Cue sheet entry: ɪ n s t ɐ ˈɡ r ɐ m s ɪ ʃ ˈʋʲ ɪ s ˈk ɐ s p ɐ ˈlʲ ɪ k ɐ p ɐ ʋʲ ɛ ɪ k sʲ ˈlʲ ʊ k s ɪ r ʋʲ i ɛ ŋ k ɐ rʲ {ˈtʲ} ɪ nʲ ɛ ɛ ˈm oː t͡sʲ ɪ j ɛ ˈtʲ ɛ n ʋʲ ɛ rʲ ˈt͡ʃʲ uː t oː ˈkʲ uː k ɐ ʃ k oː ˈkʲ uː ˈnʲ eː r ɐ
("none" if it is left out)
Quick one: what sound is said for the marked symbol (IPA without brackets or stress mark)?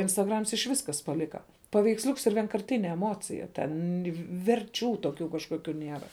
tʲ